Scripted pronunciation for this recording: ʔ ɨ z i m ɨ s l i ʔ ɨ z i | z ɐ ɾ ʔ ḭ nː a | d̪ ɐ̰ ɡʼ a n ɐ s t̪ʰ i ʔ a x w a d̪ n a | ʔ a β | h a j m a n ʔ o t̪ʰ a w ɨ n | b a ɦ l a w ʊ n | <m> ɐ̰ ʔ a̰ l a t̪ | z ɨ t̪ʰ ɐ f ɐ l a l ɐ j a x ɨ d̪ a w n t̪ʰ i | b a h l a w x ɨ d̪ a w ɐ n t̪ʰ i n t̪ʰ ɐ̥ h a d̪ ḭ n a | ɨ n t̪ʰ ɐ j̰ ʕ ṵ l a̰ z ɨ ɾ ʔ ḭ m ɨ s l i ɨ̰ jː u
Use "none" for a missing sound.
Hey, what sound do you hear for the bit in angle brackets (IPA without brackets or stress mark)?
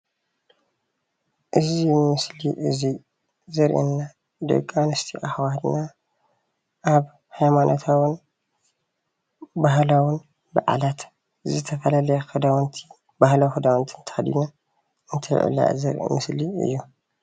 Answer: b